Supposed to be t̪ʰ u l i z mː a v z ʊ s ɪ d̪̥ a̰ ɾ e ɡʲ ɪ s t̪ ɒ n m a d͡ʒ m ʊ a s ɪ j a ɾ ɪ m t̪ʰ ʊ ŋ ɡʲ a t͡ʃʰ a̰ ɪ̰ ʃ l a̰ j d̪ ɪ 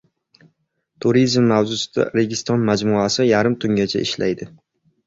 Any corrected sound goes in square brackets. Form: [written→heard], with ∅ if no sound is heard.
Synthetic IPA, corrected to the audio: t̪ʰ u [l→ɾ] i z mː a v z ʊ s ɪ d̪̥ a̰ ɾ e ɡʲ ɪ s t̪ ɒ n m a d͡ʒ m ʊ a s ɪ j a ɾ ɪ m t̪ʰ ʊ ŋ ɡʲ a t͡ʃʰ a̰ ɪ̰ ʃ l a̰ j d̪ ɪ